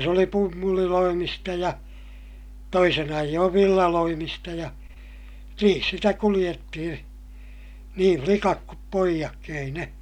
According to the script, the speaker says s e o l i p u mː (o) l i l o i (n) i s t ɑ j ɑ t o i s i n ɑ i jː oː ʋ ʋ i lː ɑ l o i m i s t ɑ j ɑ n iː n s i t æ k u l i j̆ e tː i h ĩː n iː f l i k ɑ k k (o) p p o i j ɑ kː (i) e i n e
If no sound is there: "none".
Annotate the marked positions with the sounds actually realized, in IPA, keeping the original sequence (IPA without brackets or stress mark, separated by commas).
u, m, u, i